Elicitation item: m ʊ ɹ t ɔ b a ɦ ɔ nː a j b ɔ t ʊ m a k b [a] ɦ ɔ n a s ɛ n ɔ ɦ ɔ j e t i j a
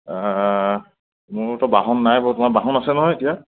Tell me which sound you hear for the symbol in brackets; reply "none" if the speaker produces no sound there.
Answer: a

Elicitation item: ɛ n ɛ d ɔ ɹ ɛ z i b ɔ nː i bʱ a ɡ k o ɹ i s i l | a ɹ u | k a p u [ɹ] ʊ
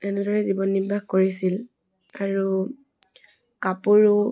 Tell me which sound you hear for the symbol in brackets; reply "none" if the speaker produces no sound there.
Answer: ɹ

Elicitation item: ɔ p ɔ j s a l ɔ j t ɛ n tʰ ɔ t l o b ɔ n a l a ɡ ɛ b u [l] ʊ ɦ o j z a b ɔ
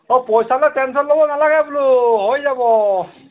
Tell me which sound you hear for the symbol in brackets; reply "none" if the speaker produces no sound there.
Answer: l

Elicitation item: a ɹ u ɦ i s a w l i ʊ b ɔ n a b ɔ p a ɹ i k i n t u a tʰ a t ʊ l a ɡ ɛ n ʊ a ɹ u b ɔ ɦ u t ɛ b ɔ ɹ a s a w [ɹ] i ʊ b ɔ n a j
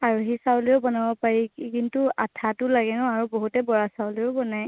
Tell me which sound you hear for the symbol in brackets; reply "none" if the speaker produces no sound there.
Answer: l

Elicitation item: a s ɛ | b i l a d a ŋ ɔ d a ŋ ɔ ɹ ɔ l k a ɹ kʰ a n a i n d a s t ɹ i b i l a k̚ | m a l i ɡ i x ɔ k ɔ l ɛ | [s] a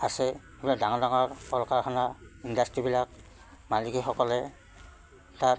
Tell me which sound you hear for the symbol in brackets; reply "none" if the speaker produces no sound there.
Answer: t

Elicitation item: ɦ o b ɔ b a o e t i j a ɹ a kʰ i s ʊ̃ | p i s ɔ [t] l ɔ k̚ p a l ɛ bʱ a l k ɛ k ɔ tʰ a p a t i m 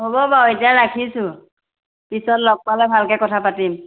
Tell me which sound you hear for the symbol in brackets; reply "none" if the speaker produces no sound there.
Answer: t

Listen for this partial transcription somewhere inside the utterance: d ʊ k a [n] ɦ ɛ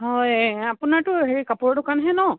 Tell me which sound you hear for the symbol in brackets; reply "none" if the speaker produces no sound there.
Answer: n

